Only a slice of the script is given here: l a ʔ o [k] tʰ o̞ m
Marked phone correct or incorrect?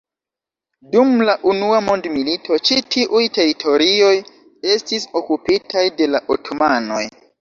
incorrect